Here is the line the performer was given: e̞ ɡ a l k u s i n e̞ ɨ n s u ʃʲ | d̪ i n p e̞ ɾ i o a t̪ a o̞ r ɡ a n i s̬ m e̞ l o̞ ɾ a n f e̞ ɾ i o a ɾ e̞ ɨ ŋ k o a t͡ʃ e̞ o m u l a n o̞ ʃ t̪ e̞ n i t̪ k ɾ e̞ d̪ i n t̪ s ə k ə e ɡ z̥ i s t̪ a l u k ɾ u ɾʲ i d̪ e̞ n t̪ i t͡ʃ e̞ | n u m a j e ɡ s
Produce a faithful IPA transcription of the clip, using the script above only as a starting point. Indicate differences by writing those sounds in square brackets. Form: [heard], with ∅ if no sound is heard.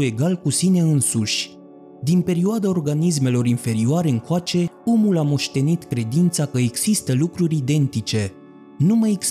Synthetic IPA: e̞ ɡ a l k u s i n e̞ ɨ n s u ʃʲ | d̪ i n p e̞ ɾ i o a [d̪] a o̞ r ɡ a n i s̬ m e̞ l o̞ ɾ [i] n f e̞ ɾ i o a ɾ e̞ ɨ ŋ k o a t͡ʃ e̞ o m u l a [m] o̞ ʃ t̪ e̞ n i t̪ k ɾ e̞ d̪ i n t̪ s [a] k ə e ɡ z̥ i s t̪ [ə] l u k ɾ u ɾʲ i d̪ e̞ n t̪ i t͡ʃ e̞ | n u m a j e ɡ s